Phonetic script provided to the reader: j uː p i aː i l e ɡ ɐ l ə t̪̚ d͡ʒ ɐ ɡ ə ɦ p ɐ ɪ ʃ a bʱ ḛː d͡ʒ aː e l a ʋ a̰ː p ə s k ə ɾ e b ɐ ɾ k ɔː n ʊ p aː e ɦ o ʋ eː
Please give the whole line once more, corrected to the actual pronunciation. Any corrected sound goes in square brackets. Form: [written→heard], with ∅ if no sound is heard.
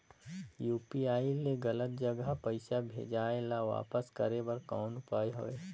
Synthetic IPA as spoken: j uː p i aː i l e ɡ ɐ l ə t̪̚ d͡ʒ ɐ ɡ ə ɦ p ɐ ɪ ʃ a bʱ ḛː d͡ʒ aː e l a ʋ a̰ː p ə s k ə ɾ e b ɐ ɾ k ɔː n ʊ p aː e ɦ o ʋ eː

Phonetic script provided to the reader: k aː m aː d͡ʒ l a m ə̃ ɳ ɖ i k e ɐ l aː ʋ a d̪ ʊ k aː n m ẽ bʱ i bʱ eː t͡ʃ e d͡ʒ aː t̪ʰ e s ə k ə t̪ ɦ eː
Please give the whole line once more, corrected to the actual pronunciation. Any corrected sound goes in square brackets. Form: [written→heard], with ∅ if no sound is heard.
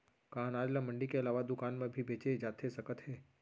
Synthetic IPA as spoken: k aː [m→n] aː d͡ʒ l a m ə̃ ɳ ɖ i k e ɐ l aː ʋ a d̪ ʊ k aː n m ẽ bʱ i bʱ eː t͡ʃ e d͡ʒ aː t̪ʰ e s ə k ə t̪ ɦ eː

